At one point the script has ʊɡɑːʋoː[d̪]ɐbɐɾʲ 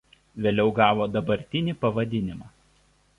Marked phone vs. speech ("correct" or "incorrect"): correct